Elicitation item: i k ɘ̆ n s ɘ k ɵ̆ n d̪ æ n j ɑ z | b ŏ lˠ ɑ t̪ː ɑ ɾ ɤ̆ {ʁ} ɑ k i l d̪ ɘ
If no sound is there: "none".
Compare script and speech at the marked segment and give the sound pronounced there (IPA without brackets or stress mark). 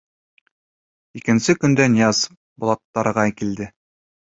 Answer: ʁ